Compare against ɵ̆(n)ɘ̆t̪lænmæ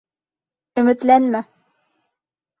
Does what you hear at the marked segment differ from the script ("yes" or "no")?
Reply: yes